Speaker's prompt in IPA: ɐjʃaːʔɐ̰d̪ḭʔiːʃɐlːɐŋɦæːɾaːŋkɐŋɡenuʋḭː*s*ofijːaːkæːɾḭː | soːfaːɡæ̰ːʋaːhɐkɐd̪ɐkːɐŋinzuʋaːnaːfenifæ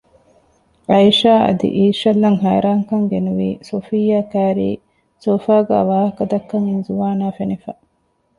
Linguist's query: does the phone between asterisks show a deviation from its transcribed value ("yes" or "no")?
no